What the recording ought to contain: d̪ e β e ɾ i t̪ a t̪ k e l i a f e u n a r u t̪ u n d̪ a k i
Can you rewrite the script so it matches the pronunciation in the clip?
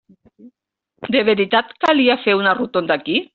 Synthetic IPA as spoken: d̪ e β e ɾ i t̪ a t̪ k a l i a f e u n a r u t̪ o n d̪ a k i

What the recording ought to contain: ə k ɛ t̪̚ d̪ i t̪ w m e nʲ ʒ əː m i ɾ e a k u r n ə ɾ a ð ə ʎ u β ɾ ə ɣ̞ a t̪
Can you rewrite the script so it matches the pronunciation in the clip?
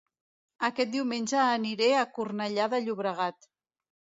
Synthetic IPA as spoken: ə k ɛ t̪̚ d̪ i w m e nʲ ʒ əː n i ɾ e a k u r n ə ʎ a ð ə ʎ u β ɾ ə ɣ̞ a t̪

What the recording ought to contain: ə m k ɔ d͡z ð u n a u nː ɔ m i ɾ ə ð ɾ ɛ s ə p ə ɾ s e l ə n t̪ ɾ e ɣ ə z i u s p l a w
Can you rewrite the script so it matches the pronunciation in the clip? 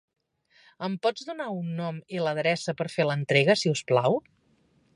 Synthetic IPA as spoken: ə m p ɔ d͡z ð u n a u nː ɔ m i l ə ð ɾ ɛ s ə p ə ɾ f e l ə n t̪ ɾ e ɣ ə s i u s p l a w

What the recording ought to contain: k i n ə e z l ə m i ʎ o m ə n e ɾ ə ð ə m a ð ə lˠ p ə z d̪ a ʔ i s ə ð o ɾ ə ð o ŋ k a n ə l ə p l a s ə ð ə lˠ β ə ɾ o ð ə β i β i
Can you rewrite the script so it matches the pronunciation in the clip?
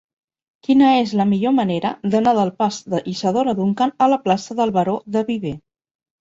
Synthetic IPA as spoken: k i n ə e z l ə m i ʎ o m ə n e ɾ ə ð ə n a ð ə lˠ p a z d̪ ə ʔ i s ə ð o ɾ ə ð u ŋ k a n ə l ə p l a s ə ð ə lˠ β ə ɾ o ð ə β i β e

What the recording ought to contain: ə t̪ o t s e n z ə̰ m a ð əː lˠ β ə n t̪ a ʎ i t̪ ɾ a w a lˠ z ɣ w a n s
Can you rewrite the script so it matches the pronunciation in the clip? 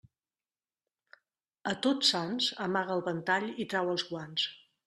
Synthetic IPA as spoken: ə t̪ o t s a n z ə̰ m a ɣ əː lˠ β ə n t̪ a ʎ i t̪ ɾ a w ə lˠ z ɣ w a n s

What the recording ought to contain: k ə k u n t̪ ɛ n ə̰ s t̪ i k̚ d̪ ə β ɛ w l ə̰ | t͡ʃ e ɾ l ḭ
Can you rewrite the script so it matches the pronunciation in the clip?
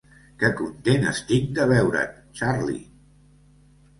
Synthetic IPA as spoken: k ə k u n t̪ e n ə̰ s t̪ i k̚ d̪ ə β ɛ w ɾ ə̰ | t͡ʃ a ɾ l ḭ

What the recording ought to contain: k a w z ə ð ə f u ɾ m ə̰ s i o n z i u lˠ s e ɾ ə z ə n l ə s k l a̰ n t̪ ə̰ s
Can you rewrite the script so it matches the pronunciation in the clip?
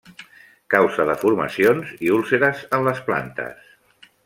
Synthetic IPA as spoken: k a w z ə ð ə f u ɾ m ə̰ s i o n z i u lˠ s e ɾ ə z ə n l ə s p l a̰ n t̪ ə̰ s

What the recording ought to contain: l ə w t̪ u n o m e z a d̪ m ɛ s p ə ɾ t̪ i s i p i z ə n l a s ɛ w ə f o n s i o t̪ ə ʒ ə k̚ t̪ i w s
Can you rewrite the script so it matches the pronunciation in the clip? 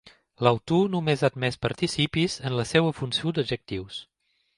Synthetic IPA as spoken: l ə w t̪ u n u m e z a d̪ m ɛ s p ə ɾ t̪ i s i p i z ə n l ə s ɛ w ə f u n s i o d̪ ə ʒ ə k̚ t̪ i w s

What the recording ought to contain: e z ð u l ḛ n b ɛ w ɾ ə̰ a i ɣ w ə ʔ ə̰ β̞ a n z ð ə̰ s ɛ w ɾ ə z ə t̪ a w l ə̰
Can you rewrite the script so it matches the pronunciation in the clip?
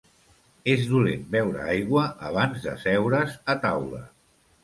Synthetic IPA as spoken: e z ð u l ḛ n b ɛ w ɾ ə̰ a j ɣ w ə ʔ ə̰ β̞ a n z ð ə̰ s ɛ w ɾ ə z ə t̪ a w l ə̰

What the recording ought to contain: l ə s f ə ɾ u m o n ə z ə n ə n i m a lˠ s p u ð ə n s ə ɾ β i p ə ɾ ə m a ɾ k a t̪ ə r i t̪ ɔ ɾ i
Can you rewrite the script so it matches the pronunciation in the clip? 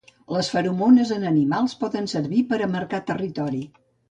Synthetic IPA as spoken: l ə s f ə ɾ u m o n ə z ə n ə n i m a lˠ s p ɔ ð ə n s ə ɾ β i p ə ɾ ə m ə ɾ k a t̪ ə r i t̪ ɔ ɾ i

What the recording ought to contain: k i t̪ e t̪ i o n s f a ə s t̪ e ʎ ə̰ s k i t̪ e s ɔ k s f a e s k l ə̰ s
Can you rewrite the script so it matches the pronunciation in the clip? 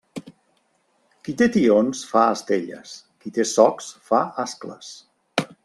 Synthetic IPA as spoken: k i t̪ e t̪ i o n s f a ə s t̪ e ʎ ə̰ s k i t̪ e s ɔ k s f a a s k l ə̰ s

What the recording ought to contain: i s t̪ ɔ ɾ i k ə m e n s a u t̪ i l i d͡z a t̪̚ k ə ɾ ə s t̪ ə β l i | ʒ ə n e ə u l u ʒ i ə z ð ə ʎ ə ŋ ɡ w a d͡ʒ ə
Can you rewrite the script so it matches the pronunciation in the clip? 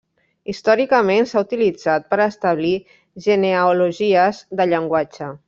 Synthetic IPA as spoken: i s t̪ ɔ ɾ i k ə m e n s a u t̪ i l i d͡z a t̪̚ p ə ɾ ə s t̪ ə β l i | ʒ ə n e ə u l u ʒ i ə z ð ə ʎ ə ŋ ɡ w a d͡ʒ ə

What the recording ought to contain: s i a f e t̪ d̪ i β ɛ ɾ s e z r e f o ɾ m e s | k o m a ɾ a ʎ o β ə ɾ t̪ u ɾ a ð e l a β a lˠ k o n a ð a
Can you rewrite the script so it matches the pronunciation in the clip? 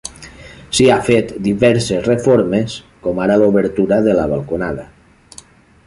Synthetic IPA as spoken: s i a f e t̪ d̪ i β ɛ ɾ s e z r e f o ɾ m e s | k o m a ɾ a l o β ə ɾ t̪ u ɾ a ð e l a β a lˠ k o n a ð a

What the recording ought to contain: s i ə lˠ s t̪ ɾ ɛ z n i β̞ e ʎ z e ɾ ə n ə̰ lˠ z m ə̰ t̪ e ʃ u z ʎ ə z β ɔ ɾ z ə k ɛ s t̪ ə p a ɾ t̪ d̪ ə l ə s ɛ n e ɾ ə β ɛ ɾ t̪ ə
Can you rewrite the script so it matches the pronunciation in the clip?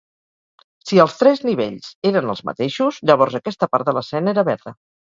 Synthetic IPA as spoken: s i ə lˠ s t̪ ɾ ɛ z n i β̞ e ʎ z e ɾ ə n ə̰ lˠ z m ə̰ t̪ e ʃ u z ʎ ə β ɔ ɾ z ə k ɛ s t̪ ə p a ɾ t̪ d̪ ə l ə s ɛ n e ɾ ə β ɛ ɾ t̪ ə

